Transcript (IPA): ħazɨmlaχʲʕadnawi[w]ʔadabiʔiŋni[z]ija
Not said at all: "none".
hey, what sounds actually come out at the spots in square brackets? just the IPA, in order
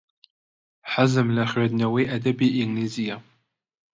none, z

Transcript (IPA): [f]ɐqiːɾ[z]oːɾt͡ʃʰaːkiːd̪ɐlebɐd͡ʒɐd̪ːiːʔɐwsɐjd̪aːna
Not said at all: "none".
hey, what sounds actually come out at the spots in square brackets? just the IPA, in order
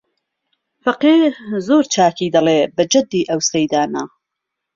f, z

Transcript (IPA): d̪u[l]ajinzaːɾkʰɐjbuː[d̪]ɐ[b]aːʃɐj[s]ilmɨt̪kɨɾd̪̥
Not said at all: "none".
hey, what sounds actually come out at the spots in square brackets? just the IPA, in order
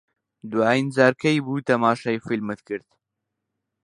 none, t̪, m, f

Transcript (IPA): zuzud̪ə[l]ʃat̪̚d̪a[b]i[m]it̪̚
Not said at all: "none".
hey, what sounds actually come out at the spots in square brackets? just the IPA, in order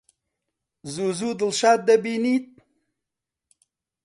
l, b, n

